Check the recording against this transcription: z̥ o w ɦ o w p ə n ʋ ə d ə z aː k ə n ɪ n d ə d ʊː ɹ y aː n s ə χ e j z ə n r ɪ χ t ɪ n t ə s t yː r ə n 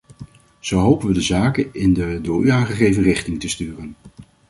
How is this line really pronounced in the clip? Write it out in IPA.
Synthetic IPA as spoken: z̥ o w ɦ o w p ə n ʋ ə d ə z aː k ə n ɪ n d ə d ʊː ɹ y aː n χ ə χ e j v ə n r ɪ χ t ɪ ŋ t ə s t yː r ə n